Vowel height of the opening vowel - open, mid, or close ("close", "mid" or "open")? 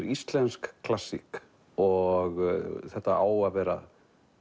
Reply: close